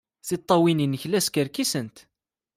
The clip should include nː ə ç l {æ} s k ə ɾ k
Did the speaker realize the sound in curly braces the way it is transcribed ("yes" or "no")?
yes